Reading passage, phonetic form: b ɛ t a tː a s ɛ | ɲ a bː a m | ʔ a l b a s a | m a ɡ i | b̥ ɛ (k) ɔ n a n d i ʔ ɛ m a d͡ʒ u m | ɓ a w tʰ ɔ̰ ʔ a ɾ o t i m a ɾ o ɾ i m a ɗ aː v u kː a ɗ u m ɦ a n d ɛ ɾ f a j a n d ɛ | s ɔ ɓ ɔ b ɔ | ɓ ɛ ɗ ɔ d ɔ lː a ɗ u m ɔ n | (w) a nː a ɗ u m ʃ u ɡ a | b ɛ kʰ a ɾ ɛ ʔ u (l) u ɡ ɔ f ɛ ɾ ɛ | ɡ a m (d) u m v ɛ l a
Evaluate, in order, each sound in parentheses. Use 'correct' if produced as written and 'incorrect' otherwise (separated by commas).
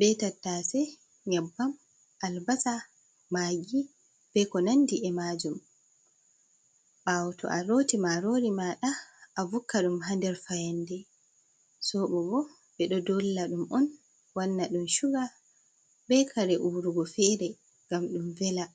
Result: correct, correct, incorrect, incorrect